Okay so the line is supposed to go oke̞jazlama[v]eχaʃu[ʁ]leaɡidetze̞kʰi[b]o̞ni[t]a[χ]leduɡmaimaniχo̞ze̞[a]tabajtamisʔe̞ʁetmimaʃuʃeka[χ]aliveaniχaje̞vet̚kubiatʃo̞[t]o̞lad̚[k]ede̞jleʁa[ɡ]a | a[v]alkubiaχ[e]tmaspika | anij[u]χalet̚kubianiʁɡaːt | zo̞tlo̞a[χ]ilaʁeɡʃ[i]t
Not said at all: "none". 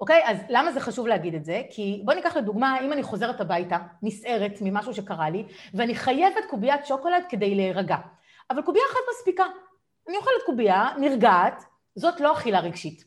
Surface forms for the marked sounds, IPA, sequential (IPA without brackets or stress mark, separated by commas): z, v, b, k, χ, e, ʁ, k, k, ɡ, v, a, o, χ, i